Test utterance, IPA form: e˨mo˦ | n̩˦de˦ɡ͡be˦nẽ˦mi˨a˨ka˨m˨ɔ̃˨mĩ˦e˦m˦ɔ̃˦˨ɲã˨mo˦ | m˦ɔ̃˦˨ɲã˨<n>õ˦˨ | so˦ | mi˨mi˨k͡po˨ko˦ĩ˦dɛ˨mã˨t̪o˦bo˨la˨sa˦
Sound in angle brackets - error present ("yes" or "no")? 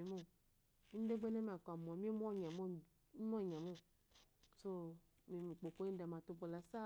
yes